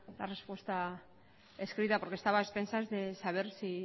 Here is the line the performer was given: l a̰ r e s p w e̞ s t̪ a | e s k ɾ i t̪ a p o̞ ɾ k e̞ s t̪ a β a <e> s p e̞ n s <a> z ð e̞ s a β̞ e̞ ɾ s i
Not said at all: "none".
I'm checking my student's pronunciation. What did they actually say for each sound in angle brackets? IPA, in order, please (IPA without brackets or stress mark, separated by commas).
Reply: e, a